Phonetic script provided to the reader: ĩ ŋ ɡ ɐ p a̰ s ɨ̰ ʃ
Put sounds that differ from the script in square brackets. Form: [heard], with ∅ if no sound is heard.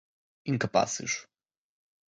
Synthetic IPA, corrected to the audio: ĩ ŋ [k] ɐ p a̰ s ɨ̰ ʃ